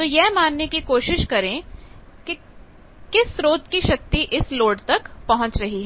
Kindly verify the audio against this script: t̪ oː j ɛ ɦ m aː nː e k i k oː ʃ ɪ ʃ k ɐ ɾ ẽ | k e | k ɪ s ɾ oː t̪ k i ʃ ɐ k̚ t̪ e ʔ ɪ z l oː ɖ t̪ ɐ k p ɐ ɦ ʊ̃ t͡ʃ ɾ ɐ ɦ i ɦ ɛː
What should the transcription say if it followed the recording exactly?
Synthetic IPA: t̪ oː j ɛ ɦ m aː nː e k i k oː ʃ ɪ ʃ k ɐ ɾ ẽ | k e | k ɪ s ɾ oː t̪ k i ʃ ɐ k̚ t̪ i ʔ ɪ s l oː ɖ t̪ ɐ k p ɐ ɦ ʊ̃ t͡ʃ ɾ ɐ ɦ i ɦ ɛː